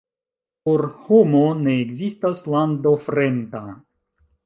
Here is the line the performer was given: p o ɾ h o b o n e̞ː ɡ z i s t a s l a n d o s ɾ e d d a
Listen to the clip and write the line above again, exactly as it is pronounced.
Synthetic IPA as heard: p o ɾ h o m o n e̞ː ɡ z i s t a s l a n d o f ɾ e n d a